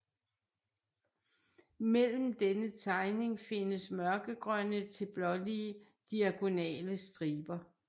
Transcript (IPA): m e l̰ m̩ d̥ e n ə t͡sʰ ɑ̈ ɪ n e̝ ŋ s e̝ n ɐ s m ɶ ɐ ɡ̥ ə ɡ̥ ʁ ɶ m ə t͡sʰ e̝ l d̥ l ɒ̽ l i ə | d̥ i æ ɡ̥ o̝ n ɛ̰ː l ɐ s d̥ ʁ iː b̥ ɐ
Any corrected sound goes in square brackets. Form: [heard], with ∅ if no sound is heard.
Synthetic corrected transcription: m e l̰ m̩ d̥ e n ə t͡sʰ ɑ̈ ɪ n e̝ ŋ [f] e̝ n [ə] s m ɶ ɐ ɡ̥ ə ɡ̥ ʁ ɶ [n] ə t͡sʰ e̝ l [b̥] l ɒ̽ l i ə | d̥ i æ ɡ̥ o̝ n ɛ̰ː l [ə] s d̥ ʁ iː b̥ ɐ